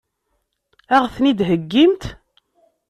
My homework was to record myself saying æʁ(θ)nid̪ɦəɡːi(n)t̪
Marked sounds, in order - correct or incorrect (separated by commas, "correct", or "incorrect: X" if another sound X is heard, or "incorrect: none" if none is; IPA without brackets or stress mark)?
correct, incorrect: m